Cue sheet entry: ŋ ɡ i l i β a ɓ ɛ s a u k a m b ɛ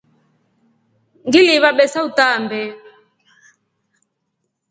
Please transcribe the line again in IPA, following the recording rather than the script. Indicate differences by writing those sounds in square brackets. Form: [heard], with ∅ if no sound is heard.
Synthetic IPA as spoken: ŋ ɡ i l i β a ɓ ɛ s a u [t] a m b ɛ